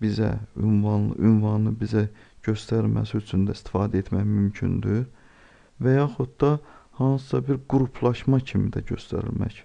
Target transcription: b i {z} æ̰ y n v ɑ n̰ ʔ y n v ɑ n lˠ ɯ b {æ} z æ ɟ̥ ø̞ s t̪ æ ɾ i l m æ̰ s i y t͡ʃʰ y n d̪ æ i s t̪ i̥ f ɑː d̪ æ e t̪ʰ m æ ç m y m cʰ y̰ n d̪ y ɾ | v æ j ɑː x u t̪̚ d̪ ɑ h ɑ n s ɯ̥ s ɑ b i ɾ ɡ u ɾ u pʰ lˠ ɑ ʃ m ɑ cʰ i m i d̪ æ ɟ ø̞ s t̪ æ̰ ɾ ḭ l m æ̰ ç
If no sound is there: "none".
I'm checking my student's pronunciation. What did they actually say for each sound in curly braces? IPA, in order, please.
z, i

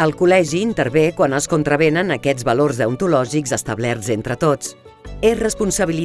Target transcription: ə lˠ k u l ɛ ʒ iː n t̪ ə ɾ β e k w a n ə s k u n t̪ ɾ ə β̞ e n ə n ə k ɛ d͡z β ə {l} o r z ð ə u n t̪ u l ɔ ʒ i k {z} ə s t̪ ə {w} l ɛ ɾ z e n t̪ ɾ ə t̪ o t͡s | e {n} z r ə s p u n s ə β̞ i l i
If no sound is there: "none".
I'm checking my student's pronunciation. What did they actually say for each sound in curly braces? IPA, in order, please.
l, z, β, none

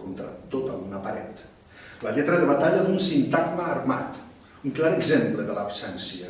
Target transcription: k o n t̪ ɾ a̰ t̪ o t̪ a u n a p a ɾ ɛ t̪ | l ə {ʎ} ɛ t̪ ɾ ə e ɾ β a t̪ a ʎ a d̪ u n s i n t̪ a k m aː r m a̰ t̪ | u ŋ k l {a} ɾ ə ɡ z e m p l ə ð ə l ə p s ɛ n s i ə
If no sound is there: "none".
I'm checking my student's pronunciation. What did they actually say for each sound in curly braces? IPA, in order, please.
ʎ, a

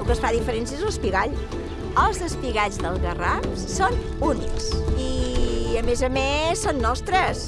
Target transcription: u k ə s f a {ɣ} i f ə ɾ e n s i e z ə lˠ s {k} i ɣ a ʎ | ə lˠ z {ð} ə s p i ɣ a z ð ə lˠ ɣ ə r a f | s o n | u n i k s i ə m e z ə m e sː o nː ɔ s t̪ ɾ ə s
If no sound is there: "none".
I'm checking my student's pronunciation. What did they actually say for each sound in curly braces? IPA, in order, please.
ð, p, ð

